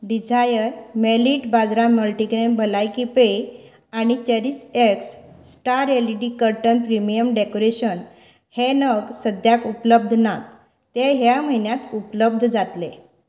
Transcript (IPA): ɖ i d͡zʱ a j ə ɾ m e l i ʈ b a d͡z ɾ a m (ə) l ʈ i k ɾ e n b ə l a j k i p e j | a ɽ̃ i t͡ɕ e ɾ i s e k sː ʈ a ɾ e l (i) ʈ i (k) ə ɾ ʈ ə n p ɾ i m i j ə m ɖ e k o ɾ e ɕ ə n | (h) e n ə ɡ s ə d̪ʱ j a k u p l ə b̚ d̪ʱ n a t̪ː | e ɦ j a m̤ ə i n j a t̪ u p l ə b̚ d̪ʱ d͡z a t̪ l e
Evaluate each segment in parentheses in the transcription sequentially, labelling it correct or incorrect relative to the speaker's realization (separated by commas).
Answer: correct, correct, correct, correct